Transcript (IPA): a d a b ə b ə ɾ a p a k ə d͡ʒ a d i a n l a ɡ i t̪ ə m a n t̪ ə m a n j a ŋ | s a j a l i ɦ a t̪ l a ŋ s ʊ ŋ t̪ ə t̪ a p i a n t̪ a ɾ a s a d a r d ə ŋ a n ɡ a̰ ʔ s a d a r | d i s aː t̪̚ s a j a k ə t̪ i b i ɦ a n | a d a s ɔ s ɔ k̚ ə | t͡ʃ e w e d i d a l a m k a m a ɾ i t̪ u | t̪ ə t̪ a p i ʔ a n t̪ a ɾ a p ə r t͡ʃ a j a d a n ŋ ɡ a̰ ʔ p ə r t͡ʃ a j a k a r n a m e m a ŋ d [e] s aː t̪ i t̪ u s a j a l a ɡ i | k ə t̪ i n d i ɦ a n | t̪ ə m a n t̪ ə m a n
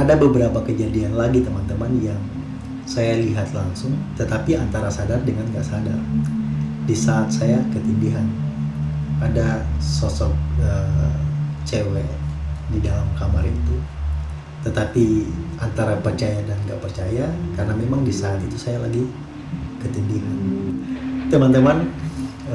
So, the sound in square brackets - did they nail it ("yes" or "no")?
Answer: no